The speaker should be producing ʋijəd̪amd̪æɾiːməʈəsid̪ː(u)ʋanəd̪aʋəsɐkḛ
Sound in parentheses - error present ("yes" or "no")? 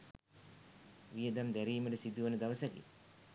no